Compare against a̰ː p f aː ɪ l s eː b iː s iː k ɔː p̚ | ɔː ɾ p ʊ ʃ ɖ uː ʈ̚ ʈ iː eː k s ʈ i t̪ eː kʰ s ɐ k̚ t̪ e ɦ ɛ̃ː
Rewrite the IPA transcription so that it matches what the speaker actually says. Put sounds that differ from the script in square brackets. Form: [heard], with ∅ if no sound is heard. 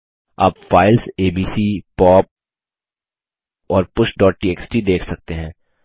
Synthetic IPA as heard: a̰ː p f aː ɪ l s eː b iː s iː [p] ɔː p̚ | ɔː ɾ p ʊ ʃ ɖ [ɔː] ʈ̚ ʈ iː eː k s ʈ i [d̪] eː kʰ s ɐ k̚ t̪ e ɦ ɛ̃ː